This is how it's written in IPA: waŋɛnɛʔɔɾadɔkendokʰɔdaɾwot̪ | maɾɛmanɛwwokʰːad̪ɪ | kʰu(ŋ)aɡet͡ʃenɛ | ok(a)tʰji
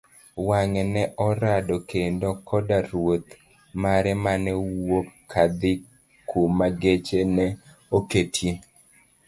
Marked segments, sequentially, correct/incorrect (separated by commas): incorrect, incorrect